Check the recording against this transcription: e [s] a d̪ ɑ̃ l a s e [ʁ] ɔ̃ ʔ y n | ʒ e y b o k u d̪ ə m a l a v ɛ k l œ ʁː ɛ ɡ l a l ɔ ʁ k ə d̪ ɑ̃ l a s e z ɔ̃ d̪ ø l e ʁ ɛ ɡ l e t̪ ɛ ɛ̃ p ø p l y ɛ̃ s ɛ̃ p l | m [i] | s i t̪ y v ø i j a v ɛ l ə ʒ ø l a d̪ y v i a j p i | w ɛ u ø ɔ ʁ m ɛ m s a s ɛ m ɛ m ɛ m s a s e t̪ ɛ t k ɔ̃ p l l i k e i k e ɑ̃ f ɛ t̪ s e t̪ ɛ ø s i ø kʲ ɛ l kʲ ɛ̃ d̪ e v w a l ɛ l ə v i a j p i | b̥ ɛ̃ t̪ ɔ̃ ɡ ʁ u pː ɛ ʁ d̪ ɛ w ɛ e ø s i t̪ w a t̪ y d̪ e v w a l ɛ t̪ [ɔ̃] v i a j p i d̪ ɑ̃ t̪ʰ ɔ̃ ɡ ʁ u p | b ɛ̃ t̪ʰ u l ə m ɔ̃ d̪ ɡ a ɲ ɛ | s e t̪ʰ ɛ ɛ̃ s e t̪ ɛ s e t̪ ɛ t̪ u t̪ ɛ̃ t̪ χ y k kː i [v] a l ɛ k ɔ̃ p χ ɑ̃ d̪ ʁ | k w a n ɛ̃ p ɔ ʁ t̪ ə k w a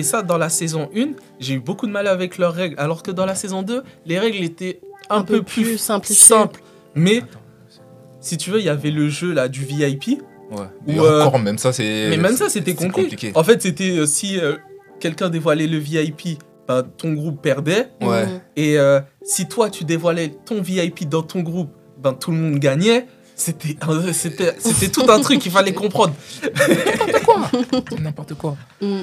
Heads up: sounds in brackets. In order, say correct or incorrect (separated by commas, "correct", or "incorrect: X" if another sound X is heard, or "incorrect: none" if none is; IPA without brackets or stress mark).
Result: correct, incorrect: z, incorrect: ɛ, correct, incorrect: f